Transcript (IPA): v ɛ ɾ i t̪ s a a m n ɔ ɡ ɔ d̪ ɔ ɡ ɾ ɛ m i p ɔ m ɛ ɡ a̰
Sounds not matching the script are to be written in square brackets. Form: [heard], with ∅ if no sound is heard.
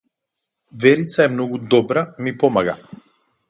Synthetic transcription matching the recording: v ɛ ɾ i t̪ s a [ɛ] m n ɔ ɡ [u] d̪ ɔ [b] ɾ [a] m i p ɔ m [a] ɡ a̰